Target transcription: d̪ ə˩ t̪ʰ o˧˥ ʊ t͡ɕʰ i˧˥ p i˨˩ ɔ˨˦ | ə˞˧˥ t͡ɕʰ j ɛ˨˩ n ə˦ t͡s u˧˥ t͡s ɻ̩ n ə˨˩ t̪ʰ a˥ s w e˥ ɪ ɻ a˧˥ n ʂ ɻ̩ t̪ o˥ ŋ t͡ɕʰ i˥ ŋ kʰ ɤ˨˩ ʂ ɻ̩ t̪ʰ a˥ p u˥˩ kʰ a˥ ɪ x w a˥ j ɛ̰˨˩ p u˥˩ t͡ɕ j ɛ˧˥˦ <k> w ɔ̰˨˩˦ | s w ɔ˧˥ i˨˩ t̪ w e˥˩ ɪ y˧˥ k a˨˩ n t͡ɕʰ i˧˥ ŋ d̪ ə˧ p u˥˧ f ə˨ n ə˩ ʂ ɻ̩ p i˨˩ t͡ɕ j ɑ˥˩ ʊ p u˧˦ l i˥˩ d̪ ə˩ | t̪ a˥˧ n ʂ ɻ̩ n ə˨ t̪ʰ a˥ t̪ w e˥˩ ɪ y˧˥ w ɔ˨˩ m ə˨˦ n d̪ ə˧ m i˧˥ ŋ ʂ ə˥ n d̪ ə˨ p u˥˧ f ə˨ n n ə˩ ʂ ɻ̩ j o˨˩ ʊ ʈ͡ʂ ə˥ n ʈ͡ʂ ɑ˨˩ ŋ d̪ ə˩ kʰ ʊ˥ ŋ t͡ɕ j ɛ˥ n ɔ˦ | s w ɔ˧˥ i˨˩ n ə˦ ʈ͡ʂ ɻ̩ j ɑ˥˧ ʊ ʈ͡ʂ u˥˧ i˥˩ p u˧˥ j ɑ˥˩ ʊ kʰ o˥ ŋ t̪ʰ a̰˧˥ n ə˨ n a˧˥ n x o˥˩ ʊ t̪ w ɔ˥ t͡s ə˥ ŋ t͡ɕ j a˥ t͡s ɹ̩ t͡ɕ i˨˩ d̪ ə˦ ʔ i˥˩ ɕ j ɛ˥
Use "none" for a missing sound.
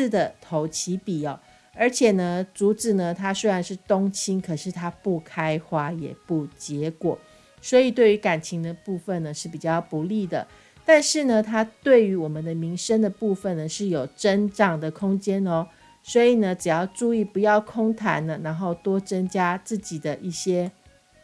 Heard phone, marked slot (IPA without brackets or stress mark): k